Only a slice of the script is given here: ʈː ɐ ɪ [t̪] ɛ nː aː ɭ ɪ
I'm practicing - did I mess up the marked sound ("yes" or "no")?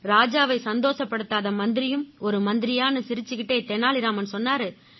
no